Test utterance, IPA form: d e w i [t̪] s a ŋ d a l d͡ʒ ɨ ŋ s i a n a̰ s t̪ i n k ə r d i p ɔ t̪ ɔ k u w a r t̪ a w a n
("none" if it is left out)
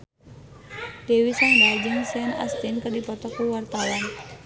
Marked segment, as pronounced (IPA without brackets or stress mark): none